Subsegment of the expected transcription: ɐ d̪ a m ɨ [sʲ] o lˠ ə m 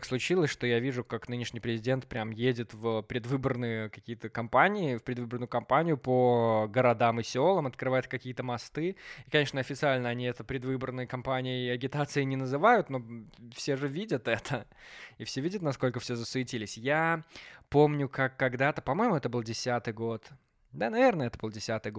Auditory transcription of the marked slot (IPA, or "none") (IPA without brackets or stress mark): sʲ